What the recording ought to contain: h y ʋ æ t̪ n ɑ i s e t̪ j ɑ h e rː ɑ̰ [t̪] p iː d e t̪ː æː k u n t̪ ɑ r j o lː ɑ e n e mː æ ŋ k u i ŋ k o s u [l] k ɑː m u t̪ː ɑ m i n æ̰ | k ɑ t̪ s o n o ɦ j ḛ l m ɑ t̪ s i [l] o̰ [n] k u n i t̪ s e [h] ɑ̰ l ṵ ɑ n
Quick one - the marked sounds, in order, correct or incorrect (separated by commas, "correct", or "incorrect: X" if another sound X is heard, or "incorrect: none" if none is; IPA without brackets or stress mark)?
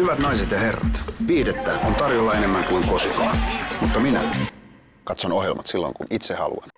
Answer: correct, incorrect: none, incorrect: lː, incorrect: ŋ, correct